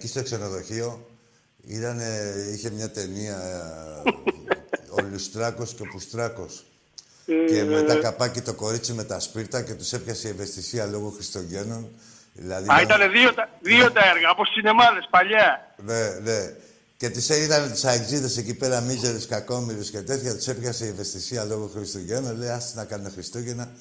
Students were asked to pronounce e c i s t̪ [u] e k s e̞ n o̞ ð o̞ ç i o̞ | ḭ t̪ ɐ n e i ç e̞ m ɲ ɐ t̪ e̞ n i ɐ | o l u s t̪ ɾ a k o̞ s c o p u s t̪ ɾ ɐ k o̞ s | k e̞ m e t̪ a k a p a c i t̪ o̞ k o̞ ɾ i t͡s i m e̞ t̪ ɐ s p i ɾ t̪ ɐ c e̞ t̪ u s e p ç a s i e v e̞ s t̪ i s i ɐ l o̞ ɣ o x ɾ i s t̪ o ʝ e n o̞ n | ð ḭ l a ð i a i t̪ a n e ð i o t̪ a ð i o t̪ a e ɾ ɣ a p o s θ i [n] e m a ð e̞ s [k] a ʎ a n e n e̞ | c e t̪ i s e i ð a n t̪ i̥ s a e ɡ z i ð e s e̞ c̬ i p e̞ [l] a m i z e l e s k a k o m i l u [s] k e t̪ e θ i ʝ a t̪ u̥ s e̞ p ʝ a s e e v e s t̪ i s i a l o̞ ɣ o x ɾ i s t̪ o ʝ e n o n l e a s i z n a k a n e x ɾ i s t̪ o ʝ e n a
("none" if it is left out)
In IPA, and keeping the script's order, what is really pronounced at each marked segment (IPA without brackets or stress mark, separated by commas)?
o, n, p, ɾ, s